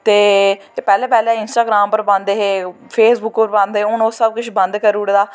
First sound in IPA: t̪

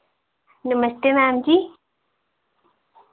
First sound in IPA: n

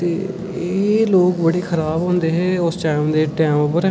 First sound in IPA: t̪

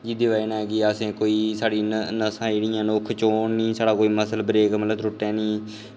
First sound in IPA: d͡ʒ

